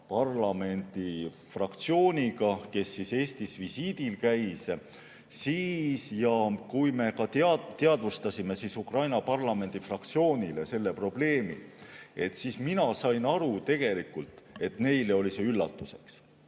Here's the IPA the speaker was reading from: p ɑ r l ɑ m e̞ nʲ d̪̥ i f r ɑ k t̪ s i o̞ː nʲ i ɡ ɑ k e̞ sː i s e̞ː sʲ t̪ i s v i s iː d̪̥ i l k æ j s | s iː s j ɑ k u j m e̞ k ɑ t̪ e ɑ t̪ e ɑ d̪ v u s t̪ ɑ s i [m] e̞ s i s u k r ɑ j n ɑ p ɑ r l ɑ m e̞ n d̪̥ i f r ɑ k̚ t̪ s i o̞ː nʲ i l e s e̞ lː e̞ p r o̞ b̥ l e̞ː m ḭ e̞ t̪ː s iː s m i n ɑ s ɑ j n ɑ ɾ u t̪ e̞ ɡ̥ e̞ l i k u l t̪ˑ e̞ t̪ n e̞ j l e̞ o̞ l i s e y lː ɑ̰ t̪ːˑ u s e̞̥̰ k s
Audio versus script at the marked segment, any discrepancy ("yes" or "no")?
no